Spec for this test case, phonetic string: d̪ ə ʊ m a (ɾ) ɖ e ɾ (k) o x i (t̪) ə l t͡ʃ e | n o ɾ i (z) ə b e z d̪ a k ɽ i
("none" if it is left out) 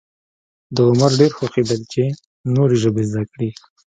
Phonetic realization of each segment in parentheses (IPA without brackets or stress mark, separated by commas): ɾ, x, d̪, ʒ